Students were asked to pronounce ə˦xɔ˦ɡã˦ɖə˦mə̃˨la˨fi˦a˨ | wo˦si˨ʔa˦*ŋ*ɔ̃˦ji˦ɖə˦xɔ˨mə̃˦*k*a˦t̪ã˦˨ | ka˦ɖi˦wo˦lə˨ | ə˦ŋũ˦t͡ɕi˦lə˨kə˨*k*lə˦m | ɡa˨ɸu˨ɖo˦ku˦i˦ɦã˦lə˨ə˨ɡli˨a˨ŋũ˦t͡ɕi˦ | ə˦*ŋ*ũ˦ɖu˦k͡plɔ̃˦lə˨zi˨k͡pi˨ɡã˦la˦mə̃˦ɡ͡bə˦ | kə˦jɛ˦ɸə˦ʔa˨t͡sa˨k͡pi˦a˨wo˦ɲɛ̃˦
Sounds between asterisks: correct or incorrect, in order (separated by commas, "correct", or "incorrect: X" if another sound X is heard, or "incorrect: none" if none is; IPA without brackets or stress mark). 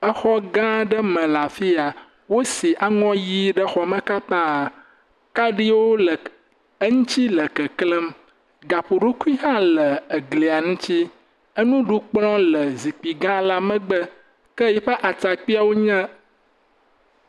correct, correct, correct, incorrect: n